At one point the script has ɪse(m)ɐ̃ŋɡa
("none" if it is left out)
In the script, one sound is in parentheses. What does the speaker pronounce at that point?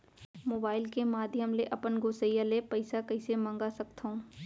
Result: m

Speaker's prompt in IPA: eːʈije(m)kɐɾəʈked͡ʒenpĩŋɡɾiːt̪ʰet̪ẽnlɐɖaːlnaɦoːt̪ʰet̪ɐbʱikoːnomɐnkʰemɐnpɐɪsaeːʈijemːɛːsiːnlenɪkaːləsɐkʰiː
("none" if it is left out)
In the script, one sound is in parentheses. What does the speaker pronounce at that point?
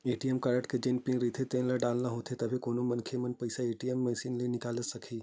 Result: m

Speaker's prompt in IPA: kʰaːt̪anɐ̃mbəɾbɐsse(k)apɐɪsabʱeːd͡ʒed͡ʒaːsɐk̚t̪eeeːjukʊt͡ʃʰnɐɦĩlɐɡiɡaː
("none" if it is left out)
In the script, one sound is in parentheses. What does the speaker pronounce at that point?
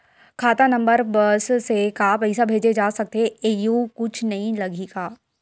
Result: k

